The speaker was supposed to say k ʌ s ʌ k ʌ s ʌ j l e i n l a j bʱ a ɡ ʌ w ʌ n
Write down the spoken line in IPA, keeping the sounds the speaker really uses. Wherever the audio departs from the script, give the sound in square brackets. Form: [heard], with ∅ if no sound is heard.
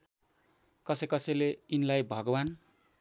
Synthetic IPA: k ʌ s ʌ k ʌ s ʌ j l e i n l a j bʱ [ʌ] ɡ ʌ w [a] n